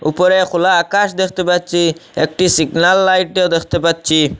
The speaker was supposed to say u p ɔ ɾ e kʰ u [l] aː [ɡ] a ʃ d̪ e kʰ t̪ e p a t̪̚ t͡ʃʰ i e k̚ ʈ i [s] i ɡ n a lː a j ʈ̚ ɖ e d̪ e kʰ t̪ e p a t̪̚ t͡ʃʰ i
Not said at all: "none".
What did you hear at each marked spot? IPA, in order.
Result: l, k, s

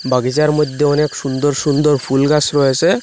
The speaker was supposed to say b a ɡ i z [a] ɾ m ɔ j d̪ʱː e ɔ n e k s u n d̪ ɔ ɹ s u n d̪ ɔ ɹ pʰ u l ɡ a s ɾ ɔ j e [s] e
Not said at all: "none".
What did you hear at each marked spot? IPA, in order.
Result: a, s

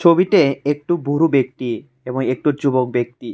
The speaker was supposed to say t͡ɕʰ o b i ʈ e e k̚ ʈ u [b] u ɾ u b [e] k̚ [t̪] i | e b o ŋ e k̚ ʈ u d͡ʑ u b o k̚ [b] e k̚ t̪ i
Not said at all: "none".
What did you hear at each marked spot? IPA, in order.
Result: b, e, t̪, b

